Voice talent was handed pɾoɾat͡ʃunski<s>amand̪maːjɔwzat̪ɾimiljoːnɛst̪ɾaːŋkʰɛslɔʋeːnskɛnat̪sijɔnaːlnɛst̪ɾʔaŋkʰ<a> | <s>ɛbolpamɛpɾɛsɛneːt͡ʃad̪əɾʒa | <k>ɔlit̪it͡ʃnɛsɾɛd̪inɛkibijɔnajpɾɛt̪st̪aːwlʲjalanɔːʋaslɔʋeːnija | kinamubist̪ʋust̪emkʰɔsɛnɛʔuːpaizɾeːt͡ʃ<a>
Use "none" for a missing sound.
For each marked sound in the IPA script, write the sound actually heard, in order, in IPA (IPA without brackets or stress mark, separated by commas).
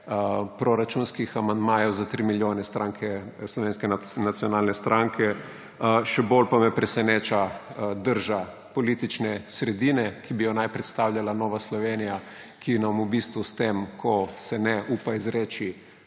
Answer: x, ɛ, ʃ, p, i